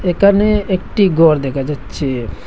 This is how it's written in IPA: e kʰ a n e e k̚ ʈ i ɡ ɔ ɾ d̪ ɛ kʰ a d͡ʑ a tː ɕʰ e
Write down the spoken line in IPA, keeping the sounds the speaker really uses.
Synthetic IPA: e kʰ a n e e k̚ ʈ i ɡ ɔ ɾ d̪ ɛ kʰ a d͡ʑ a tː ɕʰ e